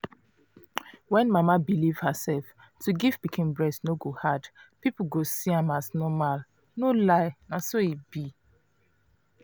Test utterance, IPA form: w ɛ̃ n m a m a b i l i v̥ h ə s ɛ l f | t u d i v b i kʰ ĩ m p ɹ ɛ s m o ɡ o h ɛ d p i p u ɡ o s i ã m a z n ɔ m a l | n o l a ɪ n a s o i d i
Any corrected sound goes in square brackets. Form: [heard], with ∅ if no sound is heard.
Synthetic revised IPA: w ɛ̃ n m a m a b i l i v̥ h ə s ɛ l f | t u [ɡ] i v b i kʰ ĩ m [b] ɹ ɛ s [n] o ɡ o h [a] d p i p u ɡ o s i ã m a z n ɔ m a l | n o l a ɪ n a s o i [b] i

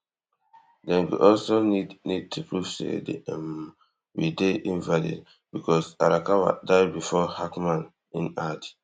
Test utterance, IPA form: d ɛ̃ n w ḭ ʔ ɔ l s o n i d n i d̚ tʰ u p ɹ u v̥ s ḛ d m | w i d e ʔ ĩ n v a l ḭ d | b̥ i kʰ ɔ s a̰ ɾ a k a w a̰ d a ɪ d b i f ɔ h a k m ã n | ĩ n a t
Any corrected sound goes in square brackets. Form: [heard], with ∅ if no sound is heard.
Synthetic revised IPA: d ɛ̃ n w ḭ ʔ ɔ l s o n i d n i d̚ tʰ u p ɹ u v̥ s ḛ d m | w i d e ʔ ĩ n v a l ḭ d | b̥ i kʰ ɔ s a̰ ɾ a k a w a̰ d a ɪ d b i f ɔ h a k m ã n | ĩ n a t

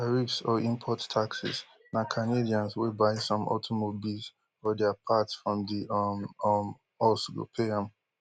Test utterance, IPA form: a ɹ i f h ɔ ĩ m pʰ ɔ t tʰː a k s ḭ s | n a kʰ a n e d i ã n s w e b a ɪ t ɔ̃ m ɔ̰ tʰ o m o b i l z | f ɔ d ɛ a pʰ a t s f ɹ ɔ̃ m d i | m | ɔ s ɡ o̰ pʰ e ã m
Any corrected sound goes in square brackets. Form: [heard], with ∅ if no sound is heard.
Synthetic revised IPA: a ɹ i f [s] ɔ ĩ m pʰ ɔ t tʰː a k s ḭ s | n a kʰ a n e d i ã n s w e b a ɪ [s] ɔ̃ m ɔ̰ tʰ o m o b i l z | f ɔ d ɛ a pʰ a t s f ɹ ɔ̃ m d i | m | ɔ s ɡ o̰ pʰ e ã m

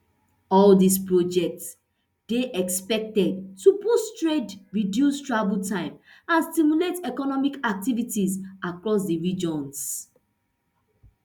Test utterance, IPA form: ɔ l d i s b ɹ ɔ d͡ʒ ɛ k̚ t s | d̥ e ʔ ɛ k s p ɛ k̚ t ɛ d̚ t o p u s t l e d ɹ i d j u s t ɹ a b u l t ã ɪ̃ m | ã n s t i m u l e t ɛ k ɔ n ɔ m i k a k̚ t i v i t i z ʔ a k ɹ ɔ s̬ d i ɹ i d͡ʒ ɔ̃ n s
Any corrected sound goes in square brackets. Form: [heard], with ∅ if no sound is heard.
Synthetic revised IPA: ɔ l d i s [p] ɹ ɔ d͡ʒ ɛ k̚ t s | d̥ e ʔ ɛ k s p ɛ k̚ t ɛ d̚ t [u] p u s t [ɹ] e d ɹ i d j u s t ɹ a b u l t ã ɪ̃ m | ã n s t i m u l e t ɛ k ɔ n ɔ m i k a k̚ t i v i t i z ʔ a k ɹ ɔ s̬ d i ɹ i d͡ʒ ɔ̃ n s

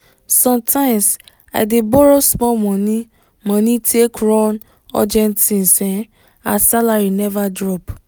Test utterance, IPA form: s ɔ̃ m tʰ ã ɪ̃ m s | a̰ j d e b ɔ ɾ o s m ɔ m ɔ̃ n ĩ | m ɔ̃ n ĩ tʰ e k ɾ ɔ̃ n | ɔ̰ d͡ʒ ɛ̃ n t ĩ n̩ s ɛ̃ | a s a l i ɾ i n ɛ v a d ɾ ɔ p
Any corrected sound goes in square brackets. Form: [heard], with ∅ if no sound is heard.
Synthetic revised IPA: s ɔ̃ m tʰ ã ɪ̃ m s | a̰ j d e b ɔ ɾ o s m ɔ m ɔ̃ n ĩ | m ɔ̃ n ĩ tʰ e k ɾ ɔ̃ n | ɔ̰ d͡ʒ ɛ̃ n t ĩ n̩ s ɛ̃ | a s a l [a] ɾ i n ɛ v a d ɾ ɔ p

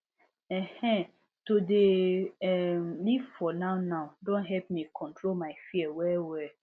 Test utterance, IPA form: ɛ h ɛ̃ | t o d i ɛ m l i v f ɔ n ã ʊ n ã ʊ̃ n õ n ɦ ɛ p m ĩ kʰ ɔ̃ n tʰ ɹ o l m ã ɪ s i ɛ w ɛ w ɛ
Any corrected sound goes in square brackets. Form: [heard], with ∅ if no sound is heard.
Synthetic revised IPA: ɛ h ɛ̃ | t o d [e] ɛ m l i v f ɔ n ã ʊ n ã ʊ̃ [d] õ n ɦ ɛ p m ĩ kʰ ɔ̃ n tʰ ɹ o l m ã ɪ [f] i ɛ w ɛ w ɛ

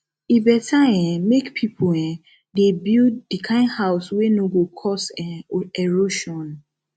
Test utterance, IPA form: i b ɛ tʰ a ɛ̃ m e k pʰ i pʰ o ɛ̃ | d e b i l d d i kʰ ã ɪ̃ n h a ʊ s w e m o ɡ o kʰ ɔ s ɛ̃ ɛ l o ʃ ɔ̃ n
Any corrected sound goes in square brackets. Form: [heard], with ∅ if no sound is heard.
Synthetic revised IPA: i b ɛ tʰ a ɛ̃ m e k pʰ i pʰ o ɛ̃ | d e b i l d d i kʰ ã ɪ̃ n h a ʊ s w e [n] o ɡ o kʰ ɔ s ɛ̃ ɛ [ɹ] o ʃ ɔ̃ n

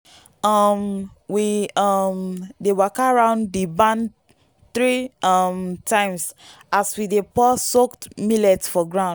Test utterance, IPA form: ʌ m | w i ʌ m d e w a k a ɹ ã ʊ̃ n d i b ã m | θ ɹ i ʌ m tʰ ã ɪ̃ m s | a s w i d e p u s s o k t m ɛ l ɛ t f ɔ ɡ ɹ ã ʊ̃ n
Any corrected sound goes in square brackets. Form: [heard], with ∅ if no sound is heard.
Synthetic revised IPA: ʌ m | w i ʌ m d e w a k a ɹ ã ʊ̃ n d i b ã [n] | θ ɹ i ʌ m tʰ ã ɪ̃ m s | a s w i d e p [ɔ] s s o k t m [i] l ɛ t f ɔ ɡ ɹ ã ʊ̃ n

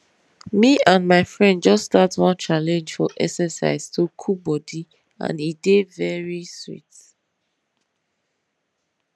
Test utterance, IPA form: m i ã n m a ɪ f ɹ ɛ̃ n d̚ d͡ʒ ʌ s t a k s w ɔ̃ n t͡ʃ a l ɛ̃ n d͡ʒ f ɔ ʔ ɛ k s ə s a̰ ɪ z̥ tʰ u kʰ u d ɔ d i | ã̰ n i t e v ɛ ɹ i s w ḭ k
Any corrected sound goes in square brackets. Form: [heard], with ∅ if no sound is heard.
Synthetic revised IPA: m i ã n m a ɪ f ɹ ɛ̃ n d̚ d͡ʒ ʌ s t a [t] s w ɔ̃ n t͡ʃ a l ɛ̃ n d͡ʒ f ɔ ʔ ɛ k s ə s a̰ ɪ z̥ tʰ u kʰ u [b] ɔ d i | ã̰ n i [d] e v ɛ ɹ i s w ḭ [t]

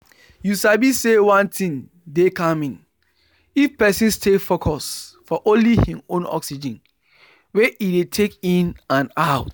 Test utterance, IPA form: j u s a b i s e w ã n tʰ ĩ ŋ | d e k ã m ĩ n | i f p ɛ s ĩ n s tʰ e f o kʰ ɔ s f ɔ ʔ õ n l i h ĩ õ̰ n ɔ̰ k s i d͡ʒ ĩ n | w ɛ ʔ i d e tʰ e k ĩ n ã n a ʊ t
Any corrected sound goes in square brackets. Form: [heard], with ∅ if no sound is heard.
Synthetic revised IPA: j u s a b i s e w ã n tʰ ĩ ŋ | d e k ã m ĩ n | i f p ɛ s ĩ n s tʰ e f o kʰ ɔ s f ɔ ʔ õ n l i h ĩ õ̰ n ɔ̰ k s i d͡ʒ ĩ n | w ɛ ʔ i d e tʰ e k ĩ n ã n a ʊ t

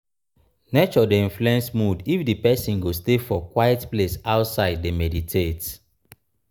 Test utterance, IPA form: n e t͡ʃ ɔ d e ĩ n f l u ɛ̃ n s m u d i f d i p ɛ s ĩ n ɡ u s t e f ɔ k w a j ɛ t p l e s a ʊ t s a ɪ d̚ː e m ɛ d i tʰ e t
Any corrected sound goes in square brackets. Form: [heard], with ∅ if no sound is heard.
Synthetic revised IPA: n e t͡ʃ ɔ d e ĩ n f l u ɛ̃ n s m u d i f d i p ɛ s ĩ n ɡ [o] s t e f ɔ k w a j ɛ t p l e s a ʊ t s a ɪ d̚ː e m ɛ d i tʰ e t

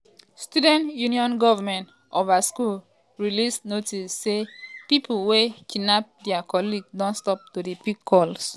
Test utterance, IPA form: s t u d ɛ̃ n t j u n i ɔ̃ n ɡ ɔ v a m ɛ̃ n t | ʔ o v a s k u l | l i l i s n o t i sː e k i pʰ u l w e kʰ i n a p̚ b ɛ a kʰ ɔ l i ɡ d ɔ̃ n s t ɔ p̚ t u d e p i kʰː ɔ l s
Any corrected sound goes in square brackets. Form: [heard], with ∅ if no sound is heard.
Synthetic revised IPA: s t u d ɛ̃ n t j u n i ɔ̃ n ɡ ɔ v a m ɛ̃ n t | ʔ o v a s k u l | [ɹ] i l i s n o t i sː e [p] i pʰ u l w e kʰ i n a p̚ [d] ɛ a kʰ ɔ l i ɡ d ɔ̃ n s t ɔ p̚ t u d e p i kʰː ɔ l s

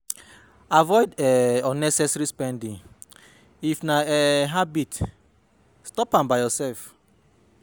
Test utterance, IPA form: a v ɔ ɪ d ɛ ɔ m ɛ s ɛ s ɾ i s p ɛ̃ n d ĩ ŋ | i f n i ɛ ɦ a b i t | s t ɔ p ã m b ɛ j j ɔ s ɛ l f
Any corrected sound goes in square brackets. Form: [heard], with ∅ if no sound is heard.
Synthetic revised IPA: a v ɔ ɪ d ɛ ɔ [n] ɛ s ɛ s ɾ i s p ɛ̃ n d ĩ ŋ | i f n [a] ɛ ɦ a b i t | s t ɔ p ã m b [a] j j ɔ s ɛ l f

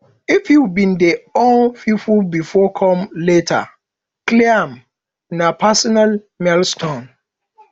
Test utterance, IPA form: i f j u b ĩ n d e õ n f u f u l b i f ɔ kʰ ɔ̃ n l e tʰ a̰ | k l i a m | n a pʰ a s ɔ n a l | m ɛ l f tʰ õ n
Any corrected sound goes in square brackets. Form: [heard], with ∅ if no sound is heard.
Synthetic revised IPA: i f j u b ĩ n d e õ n f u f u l b i f ɔ kʰ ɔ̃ [m] l e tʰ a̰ | k l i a m | n a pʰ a s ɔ n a l | m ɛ l [s] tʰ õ n

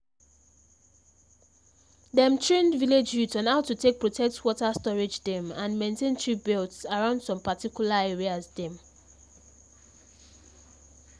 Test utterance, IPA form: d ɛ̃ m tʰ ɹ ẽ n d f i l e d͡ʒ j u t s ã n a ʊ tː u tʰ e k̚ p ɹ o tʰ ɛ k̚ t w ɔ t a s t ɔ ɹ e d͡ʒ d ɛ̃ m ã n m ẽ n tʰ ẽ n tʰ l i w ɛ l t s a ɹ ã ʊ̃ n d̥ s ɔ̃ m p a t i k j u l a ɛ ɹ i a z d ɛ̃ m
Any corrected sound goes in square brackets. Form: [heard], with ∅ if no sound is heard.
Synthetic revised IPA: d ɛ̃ m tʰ ɹ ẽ n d [v] i l e d͡ʒ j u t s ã n a ʊ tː u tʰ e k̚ p ɹ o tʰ ɛ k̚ t w ɔ t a s t ɔ ɹ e d͡ʒ d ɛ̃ m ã n m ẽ n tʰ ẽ n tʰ [ɹ] i [b] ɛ l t s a ɹ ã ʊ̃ n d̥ s ɔ̃ m p a t i k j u l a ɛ ɹ i a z d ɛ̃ m

